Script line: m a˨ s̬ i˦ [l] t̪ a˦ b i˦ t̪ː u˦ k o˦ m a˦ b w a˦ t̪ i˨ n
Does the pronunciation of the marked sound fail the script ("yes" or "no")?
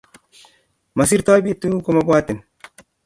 yes